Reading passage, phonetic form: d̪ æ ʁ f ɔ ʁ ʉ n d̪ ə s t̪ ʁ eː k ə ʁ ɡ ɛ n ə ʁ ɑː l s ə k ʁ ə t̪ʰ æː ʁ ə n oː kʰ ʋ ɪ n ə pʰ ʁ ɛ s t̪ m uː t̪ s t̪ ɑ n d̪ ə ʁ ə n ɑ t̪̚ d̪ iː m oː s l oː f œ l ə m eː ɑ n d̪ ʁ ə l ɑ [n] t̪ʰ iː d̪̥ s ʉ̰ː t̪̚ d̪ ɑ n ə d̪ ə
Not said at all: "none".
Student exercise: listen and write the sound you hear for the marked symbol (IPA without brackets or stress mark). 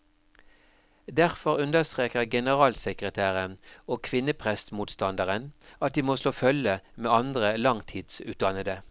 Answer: ŋ